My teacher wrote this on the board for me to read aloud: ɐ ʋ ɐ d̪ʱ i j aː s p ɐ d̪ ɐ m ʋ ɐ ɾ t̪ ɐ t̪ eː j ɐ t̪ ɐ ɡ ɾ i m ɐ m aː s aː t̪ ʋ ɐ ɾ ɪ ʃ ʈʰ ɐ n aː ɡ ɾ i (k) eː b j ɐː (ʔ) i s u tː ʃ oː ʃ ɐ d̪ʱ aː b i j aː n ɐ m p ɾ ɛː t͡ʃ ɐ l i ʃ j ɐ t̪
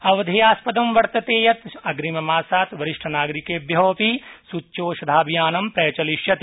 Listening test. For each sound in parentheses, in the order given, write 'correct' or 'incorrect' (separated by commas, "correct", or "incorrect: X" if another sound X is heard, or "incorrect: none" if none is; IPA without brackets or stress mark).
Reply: correct, incorrect: p